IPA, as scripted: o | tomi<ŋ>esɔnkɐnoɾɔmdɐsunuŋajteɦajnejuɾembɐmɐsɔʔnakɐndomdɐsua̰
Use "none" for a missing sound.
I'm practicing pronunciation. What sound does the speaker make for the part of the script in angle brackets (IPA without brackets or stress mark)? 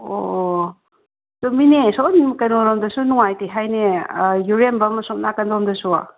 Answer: n